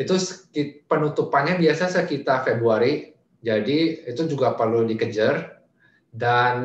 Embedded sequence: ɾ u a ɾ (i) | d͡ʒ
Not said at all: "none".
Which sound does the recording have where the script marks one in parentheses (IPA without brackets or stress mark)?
i